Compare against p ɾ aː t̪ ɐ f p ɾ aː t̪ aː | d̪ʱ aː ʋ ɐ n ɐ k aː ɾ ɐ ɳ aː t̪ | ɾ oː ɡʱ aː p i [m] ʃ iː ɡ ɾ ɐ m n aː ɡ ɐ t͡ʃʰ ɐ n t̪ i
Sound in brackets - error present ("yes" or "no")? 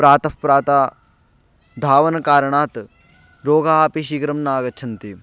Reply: yes